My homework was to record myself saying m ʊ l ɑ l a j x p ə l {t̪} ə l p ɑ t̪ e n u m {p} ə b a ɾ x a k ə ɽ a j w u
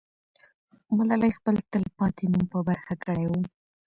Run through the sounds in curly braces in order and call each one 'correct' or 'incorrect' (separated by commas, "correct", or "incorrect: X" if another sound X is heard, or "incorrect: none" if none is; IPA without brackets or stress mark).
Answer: correct, correct